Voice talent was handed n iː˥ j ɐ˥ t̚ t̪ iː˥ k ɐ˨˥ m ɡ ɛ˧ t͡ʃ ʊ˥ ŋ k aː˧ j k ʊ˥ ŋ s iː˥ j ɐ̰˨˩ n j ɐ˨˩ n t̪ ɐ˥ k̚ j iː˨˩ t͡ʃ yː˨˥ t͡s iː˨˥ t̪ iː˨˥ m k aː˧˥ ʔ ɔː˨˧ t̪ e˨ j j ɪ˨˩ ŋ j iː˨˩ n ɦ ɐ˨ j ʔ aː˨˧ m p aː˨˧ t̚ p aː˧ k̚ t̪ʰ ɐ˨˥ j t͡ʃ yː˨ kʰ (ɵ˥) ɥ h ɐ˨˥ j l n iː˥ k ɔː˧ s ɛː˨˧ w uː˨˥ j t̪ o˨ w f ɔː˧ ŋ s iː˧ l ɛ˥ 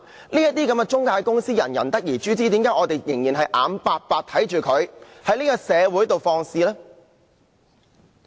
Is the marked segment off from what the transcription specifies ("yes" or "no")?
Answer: yes